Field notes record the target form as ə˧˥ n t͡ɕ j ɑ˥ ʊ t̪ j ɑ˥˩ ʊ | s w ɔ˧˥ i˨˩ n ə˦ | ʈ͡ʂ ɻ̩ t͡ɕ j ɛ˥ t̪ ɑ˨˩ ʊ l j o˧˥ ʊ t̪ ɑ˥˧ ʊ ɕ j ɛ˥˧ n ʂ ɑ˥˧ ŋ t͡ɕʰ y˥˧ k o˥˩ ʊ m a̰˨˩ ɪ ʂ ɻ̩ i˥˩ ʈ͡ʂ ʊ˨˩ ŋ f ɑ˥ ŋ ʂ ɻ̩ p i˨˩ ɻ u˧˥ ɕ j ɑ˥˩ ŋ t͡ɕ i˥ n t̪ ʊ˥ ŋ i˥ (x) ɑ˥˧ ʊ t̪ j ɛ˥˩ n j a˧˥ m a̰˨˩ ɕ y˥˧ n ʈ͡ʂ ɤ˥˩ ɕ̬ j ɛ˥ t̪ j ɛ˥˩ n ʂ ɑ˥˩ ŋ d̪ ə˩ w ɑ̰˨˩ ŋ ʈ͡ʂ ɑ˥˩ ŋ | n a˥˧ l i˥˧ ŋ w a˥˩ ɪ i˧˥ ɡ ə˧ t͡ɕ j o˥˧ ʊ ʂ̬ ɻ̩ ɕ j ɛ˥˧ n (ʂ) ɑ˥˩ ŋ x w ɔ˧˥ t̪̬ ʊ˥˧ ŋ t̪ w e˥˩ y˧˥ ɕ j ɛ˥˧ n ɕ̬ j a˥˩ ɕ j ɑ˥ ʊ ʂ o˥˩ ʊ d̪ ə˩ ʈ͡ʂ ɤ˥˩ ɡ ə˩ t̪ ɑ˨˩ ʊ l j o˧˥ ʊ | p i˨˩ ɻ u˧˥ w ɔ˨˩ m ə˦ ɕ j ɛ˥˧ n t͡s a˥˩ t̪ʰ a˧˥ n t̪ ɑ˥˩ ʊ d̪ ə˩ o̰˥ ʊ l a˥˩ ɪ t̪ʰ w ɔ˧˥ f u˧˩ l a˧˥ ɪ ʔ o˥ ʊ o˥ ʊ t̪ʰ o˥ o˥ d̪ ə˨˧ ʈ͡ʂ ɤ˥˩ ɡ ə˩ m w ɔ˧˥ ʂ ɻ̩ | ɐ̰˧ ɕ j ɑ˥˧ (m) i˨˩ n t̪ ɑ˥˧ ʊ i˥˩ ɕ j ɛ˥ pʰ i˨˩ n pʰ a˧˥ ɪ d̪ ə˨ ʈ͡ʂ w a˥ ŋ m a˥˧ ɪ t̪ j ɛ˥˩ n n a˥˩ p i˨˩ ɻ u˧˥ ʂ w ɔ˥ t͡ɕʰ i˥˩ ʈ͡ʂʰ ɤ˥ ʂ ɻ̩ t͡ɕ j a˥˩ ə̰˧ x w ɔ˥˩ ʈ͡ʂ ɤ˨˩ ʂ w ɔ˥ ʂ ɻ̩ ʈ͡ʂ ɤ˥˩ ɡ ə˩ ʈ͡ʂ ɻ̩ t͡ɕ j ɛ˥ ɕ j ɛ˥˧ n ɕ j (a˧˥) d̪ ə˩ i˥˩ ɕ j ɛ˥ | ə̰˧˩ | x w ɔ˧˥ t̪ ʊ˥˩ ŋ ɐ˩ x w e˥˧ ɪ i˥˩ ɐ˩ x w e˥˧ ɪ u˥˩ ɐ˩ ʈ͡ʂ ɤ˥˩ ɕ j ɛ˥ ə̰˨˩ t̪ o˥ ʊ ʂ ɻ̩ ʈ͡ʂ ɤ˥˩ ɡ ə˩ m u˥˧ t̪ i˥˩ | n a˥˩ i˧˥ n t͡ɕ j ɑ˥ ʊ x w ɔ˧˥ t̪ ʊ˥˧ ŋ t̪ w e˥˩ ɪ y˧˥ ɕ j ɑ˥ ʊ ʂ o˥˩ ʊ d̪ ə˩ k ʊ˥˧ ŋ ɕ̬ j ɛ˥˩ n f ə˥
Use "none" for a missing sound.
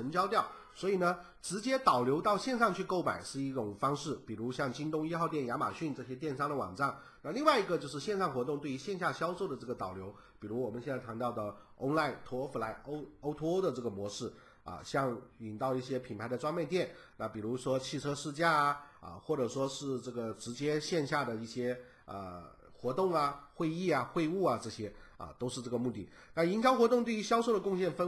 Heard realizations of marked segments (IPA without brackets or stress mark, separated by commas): x, ʂ, ŋ, a˥˩